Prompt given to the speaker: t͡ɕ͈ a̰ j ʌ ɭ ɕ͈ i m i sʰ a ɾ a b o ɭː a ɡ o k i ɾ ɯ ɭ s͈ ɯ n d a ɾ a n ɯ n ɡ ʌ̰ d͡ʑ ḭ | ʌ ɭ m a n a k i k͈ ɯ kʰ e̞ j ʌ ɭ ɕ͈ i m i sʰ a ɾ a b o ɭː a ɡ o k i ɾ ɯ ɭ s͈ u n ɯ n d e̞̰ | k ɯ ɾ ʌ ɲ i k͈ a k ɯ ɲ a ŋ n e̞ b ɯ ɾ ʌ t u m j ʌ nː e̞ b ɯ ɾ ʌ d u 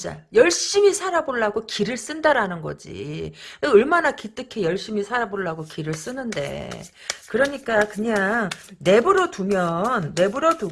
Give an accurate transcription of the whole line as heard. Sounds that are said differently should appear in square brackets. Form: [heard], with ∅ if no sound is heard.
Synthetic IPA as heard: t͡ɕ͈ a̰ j ʌ ɭ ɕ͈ i m i sʰ a ɾ a b o ɭː a ɡ o k i ɾ ɯ ɭ s͈ ɯ n d a ɾ a n ɯ n ɡ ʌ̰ d͡ʑ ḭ | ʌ ɭ m a n a k i [t͈] ɯ kʰ e̞ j ʌ ɭ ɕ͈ i m i sʰ a ɾ a b o ɭː a ɡ o k i ɾ ɯ ɭ s͈ [ɯ] n ɯ n d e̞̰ | k ɯ ɾ ʌ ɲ i k͈ a k ɯ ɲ a ŋ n e̞ b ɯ ɾ ʌ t u m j ʌ nː e̞ b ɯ ɾ ʌ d u